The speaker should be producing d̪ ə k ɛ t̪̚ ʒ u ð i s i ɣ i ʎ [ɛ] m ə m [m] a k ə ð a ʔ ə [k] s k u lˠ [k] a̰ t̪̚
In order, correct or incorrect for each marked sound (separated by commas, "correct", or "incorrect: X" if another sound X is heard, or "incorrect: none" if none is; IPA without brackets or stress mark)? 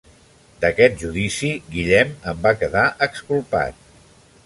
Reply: correct, incorrect: b, correct, incorrect: p